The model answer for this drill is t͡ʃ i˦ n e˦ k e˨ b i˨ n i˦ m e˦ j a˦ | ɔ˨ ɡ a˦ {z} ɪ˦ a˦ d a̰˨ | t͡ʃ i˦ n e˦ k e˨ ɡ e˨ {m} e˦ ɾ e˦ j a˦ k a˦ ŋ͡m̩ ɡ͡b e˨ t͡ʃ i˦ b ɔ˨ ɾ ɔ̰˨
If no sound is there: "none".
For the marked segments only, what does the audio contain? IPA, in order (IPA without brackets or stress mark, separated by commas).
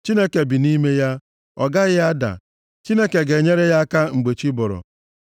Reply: ɣ, ɲ